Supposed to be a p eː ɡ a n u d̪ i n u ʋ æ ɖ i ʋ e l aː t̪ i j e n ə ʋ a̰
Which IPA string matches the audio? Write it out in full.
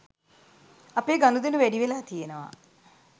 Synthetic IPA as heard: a p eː ɡ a n u d̪ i n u ʋ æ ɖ i ʋ e l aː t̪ i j e n ə ʋ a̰